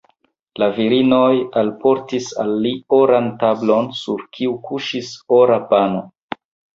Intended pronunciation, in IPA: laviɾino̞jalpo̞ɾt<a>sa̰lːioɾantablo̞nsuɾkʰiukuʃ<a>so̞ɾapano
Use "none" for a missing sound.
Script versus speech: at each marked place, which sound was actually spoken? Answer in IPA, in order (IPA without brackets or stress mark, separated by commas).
i, i